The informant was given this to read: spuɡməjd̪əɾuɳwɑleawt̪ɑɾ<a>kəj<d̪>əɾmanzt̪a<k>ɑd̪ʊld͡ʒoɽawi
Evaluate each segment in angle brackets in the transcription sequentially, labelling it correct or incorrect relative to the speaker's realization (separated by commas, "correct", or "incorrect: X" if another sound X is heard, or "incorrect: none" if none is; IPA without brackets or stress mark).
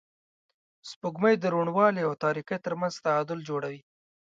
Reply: incorrect: i, incorrect: t̪, incorrect: none